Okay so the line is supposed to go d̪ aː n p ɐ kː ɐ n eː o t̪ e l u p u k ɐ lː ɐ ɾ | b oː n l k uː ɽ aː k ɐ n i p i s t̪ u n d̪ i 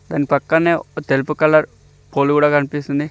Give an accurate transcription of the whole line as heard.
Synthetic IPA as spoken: d̪ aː n p ɐ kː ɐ n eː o t̪ e l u p u k ɐ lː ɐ ɾ | p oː l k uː ɽ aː k ɐ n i p i s t̪ u n d̪ i